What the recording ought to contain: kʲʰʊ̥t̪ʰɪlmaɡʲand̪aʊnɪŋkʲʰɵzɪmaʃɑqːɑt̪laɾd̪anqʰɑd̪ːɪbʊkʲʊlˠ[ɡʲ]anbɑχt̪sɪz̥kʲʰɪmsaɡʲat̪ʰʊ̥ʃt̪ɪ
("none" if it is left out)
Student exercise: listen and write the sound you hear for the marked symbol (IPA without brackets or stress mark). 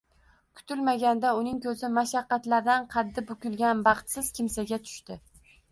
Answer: ɡʲ